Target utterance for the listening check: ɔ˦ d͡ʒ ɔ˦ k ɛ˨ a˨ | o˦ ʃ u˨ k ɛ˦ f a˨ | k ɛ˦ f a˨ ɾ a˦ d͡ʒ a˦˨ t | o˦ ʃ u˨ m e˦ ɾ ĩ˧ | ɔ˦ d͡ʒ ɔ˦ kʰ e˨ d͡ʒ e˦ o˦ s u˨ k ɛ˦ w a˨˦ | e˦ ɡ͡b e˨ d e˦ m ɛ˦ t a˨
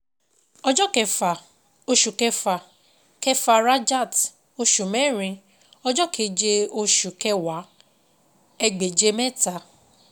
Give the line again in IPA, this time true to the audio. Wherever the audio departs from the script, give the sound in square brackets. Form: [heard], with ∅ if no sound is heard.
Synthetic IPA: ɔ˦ d͡ʒ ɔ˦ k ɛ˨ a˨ | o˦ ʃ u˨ k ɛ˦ f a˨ | k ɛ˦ f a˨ ɾ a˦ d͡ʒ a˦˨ t | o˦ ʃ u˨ m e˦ ɾ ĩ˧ | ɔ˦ d͡ʒ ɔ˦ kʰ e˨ d͡ʒ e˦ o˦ [ʃ] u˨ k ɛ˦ w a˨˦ | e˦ ɡ͡b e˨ [d͡ʒ] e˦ m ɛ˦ t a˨